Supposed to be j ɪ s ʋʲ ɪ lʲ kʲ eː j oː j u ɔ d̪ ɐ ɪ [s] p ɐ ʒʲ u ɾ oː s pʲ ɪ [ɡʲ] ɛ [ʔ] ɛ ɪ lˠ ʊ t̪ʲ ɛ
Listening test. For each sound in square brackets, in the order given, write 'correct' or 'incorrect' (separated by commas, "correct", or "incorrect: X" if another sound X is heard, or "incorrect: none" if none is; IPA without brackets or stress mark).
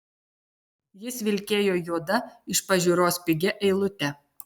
incorrect: ʃ, correct, correct